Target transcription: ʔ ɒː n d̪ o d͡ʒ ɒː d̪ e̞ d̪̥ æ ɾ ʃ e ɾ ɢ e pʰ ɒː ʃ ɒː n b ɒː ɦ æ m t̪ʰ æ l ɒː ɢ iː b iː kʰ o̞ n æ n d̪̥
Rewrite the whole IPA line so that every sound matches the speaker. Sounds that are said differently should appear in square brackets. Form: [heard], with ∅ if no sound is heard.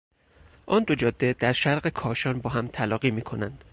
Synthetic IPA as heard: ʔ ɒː n d̪ o d͡ʒ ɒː [d̪ː] e̞ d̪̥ æ ɾ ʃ [æ] ɾ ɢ e [kʰ] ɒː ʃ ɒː n b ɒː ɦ æ m t̪ʰ æ l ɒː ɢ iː [m] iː kʰ o̞ n æ n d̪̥